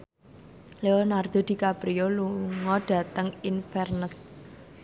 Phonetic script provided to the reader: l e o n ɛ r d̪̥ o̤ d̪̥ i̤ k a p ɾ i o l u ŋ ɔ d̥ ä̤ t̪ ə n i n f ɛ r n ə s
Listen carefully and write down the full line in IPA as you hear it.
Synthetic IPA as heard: l e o n a r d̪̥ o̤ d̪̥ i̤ k a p ɾ i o l u ŋ ɔ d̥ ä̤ t̪ ə ŋ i n f ɛ r n ə s